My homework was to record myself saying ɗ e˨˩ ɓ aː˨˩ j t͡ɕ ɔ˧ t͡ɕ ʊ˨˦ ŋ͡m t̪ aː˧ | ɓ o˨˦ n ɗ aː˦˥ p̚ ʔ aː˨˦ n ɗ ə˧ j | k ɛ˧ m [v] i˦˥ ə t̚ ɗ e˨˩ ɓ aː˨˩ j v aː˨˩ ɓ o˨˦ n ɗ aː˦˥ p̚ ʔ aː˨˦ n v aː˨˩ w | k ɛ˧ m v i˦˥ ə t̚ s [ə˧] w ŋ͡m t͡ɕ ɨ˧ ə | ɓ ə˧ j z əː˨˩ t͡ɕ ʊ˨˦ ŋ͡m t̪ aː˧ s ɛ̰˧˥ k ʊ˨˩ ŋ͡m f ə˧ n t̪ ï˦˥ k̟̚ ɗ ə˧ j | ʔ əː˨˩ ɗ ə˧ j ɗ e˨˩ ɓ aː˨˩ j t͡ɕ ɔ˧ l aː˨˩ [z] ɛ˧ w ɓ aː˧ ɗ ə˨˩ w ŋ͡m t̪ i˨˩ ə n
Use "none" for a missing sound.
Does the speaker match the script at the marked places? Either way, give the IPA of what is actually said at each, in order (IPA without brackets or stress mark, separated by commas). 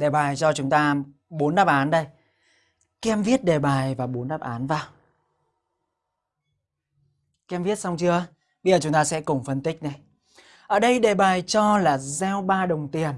v, a˧, z